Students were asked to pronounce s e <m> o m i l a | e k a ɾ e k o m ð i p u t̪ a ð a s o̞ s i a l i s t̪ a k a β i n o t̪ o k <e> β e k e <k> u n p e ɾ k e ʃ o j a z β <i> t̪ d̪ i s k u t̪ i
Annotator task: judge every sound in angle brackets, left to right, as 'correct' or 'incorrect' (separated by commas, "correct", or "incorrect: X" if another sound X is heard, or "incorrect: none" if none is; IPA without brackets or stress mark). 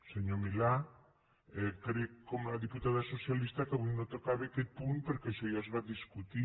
incorrect: ɲ, incorrect: a, incorrect: p, incorrect: a